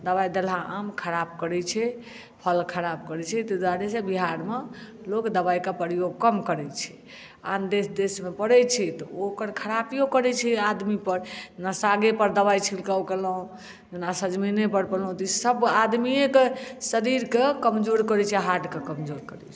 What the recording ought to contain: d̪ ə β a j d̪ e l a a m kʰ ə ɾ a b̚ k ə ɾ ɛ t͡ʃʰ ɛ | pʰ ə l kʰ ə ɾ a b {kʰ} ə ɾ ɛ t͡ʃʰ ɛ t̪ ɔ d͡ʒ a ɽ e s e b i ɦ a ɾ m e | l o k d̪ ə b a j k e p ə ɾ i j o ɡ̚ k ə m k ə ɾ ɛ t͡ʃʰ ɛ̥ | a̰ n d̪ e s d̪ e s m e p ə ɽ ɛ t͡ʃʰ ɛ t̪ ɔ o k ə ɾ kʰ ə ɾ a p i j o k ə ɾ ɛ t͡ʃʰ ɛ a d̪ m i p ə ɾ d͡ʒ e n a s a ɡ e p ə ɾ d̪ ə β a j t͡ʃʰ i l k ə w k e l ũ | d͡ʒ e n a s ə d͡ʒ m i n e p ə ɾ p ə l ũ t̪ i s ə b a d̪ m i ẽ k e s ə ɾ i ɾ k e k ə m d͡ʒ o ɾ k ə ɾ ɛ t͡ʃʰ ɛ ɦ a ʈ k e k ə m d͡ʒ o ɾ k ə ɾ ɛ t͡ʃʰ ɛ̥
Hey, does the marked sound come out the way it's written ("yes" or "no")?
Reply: no